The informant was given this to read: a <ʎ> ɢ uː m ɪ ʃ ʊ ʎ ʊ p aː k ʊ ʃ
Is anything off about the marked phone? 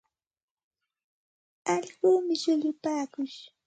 no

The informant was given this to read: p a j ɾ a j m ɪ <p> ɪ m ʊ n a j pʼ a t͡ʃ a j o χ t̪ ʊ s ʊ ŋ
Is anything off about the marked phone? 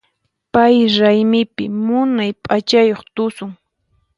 no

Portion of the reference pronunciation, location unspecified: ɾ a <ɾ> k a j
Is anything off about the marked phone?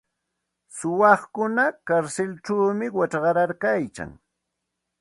no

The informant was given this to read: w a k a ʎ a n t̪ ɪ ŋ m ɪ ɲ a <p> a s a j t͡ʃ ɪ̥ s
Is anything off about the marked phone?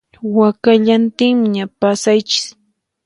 no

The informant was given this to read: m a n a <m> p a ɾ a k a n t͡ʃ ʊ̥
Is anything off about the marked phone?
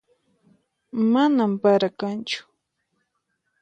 no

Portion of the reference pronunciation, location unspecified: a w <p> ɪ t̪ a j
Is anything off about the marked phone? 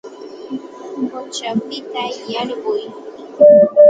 no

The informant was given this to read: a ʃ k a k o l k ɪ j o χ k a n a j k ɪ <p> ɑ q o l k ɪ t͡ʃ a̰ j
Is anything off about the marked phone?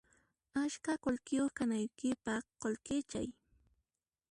no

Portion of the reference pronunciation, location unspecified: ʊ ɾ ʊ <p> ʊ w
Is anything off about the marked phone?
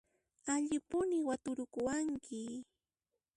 yes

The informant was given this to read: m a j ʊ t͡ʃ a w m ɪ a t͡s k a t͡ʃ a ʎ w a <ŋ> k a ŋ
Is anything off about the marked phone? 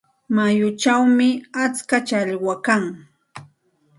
yes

